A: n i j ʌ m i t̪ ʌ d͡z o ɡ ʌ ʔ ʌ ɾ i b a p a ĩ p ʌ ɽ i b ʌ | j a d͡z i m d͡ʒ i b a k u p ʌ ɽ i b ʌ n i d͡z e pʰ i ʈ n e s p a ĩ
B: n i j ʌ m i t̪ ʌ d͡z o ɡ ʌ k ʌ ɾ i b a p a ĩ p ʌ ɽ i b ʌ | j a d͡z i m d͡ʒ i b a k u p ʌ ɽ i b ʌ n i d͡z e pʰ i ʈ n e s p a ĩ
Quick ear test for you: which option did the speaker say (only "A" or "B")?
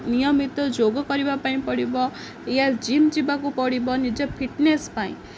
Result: B